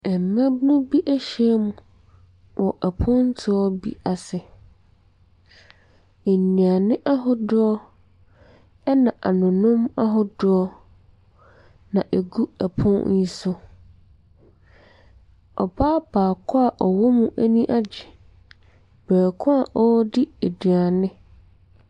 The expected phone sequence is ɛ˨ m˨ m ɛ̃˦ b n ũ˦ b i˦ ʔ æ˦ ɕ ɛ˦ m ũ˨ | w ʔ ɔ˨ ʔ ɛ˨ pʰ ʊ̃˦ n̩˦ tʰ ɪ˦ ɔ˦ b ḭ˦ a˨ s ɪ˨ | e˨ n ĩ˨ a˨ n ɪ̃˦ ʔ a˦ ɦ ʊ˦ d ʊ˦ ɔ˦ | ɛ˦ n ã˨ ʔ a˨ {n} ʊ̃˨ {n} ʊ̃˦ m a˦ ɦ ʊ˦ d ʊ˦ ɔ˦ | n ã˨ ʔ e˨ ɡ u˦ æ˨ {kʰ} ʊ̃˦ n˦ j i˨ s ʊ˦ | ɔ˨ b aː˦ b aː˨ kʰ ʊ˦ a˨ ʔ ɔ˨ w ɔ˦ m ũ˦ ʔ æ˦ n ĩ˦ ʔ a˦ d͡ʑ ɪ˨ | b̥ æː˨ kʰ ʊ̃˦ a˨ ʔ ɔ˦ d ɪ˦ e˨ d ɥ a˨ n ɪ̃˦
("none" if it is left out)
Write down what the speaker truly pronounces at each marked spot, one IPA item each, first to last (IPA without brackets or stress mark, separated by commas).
n, n, pʰ